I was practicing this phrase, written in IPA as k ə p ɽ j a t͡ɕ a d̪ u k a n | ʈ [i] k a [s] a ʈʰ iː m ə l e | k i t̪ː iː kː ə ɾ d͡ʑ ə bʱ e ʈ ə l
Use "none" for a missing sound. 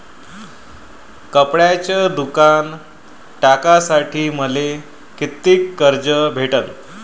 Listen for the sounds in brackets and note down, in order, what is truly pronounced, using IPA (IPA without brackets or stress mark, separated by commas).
a, s